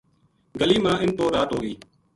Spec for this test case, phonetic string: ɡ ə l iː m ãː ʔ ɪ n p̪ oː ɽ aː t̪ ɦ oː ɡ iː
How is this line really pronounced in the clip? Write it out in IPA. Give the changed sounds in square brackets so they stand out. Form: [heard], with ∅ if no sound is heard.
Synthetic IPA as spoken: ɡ ə l iː m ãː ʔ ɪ n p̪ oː [ɾ] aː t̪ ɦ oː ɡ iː